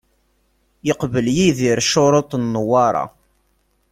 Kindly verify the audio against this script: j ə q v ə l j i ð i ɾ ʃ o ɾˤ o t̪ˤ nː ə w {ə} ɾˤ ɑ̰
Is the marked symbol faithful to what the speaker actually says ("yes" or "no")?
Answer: no